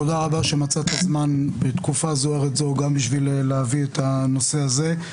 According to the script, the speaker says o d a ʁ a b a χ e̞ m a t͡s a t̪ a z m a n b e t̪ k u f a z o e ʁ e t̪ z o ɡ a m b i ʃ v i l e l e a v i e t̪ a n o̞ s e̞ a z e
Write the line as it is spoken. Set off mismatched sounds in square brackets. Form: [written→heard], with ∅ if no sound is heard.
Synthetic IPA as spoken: o d a ʁ a b a [χ→ʃ] e̞ m a t͡s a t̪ a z m a n b e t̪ k u f a z o e ʁ e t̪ z o ɡ a m b i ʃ v i l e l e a v i e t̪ a n o̞ s e̞ a z e